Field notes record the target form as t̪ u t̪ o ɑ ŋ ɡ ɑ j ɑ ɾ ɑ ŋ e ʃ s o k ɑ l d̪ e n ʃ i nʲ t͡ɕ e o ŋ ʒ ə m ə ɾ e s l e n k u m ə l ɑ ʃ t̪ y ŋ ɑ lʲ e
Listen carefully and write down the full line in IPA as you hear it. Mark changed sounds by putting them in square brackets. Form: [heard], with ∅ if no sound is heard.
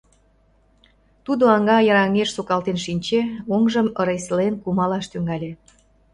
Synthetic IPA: t̪ u [d̪] o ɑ ŋ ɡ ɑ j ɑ ɾ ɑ ŋ e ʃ s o k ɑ l [t̪] e n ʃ i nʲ t͡ɕ e o ŋ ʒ ə m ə ɾ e s l e n k u m [ɑ] l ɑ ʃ t̪ y ŋ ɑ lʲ e